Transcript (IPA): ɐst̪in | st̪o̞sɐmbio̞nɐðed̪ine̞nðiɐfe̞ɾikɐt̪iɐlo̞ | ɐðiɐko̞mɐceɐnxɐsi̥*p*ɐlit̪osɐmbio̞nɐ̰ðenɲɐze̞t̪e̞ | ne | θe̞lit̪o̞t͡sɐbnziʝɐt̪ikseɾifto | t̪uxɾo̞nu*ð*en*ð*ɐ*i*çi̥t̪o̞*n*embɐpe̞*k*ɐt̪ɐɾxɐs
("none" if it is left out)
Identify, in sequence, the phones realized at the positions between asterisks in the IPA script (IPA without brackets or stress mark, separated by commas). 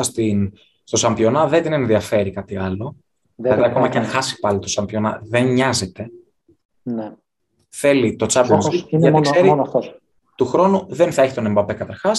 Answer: p, ð, θ, e, n, k